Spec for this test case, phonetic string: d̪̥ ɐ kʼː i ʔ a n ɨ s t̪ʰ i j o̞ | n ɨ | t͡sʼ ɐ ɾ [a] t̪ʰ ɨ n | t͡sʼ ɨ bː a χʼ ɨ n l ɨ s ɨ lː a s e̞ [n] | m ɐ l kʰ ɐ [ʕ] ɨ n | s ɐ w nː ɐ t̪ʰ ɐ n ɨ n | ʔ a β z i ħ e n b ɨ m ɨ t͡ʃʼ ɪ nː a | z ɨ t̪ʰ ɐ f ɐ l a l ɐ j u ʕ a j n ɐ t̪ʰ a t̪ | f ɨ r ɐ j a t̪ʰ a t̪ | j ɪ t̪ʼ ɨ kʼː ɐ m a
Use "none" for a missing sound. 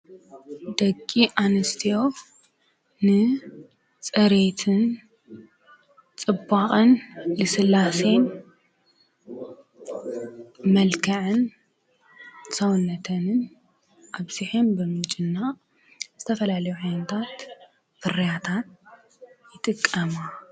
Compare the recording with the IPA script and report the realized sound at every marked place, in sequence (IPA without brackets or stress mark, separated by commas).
e, n, ʕ